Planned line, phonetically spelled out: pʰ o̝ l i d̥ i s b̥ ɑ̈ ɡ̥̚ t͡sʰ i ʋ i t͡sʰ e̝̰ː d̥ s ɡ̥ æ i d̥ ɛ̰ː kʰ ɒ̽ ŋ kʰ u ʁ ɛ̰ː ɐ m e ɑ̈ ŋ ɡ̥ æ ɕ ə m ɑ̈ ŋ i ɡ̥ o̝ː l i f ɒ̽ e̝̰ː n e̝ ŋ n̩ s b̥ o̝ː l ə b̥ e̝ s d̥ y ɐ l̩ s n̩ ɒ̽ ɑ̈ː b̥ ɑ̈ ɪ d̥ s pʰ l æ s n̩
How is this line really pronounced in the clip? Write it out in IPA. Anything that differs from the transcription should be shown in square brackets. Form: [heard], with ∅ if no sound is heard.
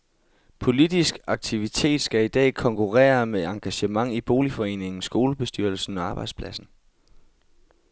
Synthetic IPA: pʰ o̝ l i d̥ i s [ɡ̥] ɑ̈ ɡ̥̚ t͡sʰ i ʋ i t͡sʰ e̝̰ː d̥ s ɡ̥ æ i d̥ ɛ̰ː kʰ ɒ̽ ŋ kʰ u ʁ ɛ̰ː ɐ m e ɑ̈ ŋ ɡ̥ æ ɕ ə m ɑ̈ ŋ i [b̥] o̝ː l i f ɒ̽ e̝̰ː n e̝ ŋ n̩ s [ɡ̥] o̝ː l ə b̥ e̝ s d̥ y ɐ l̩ s n̩ ɒ̽ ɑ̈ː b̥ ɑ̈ ɪ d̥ s pʰ l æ s n̩

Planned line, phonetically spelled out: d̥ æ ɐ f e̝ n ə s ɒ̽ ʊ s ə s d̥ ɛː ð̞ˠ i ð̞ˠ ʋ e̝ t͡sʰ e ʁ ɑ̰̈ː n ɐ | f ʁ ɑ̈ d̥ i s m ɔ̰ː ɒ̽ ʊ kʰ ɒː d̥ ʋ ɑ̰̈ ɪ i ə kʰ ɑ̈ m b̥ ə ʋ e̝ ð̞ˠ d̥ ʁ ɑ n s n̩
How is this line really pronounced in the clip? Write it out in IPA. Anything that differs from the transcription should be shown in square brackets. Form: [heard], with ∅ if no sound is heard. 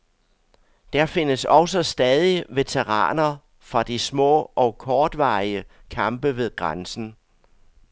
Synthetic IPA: d̥ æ ɐ f e̝ n ə s ɒ̽ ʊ s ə s d̥ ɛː ð̞ˠ i [∅] ʋ e̝ t͡sʰ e ʁ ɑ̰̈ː n ɐ | f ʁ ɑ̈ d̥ i s m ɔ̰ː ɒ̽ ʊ kʰ ɒː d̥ ʋ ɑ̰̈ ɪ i ə kʰ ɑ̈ m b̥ ə ʋ e̝ ð̞ˠ [ɡ̥] ʁ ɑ n s n̩

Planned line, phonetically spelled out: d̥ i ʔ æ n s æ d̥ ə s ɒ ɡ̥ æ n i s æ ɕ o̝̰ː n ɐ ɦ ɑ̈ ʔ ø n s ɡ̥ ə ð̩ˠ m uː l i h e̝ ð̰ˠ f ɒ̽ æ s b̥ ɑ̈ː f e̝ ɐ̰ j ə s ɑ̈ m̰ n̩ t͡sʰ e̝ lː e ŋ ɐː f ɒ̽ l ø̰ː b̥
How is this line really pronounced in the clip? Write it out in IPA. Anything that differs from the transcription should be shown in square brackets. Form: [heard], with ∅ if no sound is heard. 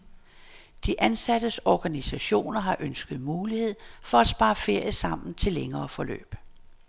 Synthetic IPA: d̥ i ʔ æ n s æ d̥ ə s ɒ ɡ̥ æ n i s æ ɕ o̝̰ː n ɐ ɦ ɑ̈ ʔ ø n s ɡ̥ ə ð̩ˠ m uː l i h e̝ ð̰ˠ f ɒ̽ æ s b̥ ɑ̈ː f e̝ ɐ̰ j ə s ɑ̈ m̰ n̩ t͡sʰ e̝ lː e ŋ ɐː f ɒ̽ l ø̰ː b̥

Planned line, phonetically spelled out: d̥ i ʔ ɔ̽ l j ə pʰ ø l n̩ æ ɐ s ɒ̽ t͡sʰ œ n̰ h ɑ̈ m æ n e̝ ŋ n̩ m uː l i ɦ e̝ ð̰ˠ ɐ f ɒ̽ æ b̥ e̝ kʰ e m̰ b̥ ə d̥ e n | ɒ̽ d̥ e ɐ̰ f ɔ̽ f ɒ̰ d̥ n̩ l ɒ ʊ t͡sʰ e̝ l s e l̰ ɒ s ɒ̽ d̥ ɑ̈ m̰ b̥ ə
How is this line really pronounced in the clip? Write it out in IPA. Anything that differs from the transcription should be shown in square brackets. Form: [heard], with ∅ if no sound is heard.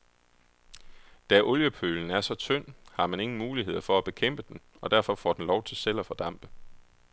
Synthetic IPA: d̥ [æ] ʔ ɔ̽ l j ə pʰ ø l n̩ æ ɐ s ɒ̽ t͡sʰ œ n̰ h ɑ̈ m æ n e̝ ŋ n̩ m uː l i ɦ e̝ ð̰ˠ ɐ f ɒ̽ æ b̥ e̝ kʰ e m̰ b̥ ə d̥ e n | ɒ̽ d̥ [æ] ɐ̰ f [ɒ̽] f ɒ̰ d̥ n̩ l ɒ ʊ t͡sʰ e̝ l s e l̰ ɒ [f] ɒ̽ d̥ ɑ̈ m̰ b̥ ə

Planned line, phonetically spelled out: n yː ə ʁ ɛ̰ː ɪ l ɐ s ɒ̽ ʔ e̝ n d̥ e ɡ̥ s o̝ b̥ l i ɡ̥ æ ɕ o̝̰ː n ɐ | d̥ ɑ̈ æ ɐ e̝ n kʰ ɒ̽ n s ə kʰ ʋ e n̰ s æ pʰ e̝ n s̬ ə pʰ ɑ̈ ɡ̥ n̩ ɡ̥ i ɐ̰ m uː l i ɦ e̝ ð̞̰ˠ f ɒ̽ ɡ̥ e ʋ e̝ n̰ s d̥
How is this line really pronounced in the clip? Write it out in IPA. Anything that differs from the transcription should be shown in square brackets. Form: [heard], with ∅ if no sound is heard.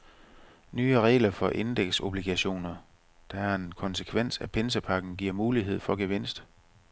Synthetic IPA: n yː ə ʁ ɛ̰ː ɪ l ɐ [f] ɒ̽ ʔ e̝ n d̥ e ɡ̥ s o̝ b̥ l i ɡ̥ æ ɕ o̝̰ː n ɐ | d̥ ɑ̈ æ ɐ e̝ n kʰ ɒ̽ n s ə kʰ ʋ e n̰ s æ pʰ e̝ n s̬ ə pʰ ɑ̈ ɡ̥ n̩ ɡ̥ i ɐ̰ m uː l i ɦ e̝ ð̞̰ˠ f ɒ̽ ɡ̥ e ʋ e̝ n̰ s d̥

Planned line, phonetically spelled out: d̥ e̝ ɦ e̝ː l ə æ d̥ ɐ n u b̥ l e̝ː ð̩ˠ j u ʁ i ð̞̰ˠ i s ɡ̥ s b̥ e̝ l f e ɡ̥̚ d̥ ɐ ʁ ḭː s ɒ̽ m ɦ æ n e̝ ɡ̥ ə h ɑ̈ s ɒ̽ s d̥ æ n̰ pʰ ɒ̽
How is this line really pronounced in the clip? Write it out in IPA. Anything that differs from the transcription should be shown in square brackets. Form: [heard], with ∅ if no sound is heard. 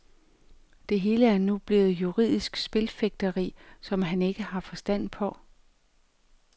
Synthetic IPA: d̥ e̝ ɦ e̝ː l ə æ [∅] ɐ n u b̥ l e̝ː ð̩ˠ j u ʁ i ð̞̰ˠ i s ɡ̥ s b̥ e̝ l f e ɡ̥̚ d̥ ɐ ʁ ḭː s ɒ̽ m ɦ æ n e̝ ɡ̥ ə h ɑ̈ [f] ɒ̽ s d̥ æ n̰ pʰ ɒ̽

